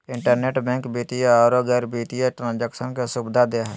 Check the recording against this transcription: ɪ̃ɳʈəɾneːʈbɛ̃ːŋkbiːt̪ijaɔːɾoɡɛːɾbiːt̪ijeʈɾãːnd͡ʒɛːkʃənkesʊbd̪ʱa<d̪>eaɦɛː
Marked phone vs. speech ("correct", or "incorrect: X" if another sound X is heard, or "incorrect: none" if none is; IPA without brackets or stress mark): correct